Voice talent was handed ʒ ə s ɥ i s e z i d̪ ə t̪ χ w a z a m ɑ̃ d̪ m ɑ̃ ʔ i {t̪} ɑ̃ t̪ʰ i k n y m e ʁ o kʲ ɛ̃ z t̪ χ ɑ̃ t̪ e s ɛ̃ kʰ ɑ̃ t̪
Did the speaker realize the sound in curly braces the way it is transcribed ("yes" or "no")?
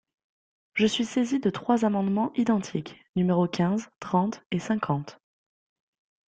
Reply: no